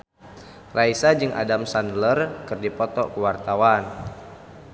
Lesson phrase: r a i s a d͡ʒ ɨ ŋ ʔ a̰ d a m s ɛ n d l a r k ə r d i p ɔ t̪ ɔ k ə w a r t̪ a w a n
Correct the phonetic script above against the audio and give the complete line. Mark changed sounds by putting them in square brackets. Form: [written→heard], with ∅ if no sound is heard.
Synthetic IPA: r a i s a d͡ʒ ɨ ŋ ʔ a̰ d a m s [ɛ→a] n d l [a→ə] r k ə r d i p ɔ t̪ ɔ k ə w a r t̪ a w a n